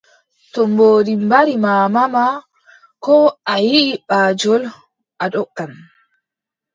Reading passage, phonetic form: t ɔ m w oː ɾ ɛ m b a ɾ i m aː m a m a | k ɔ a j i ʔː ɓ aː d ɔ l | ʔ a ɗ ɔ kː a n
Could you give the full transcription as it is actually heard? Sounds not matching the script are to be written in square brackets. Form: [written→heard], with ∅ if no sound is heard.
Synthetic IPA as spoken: t ɔ m [w→b] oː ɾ [ɛ→i] m b a ɾ i m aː m a m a | k ɔ a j i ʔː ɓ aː [d→d͡ʒ] ɔ l | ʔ a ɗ ɔ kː a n